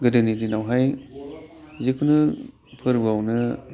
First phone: ɡ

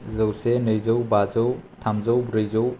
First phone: z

